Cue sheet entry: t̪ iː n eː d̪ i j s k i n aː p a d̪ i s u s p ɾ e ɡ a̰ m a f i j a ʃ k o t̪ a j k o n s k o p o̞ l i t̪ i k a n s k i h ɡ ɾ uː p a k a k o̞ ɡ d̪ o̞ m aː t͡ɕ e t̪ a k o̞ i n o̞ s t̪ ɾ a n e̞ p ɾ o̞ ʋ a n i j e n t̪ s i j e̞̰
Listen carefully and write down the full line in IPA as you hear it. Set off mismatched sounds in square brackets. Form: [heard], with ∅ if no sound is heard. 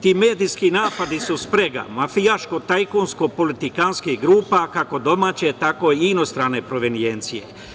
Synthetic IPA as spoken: t̪ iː [m] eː d̪ i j s k i n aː p a d̪ i s u s p ɾ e ɡ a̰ m a f i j a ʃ k o t̪ a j k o n s k o p o̞ l i t̪ i k a n s k i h ɡ ɾ uː p a k a k o̞ [∅] d̪ o̞ m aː t͡ɕ e t̪ a k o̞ i n o̞ s t̪ ɾ a n e̞ p ɾ o̞ ʋ [e] n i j e n t̪ s i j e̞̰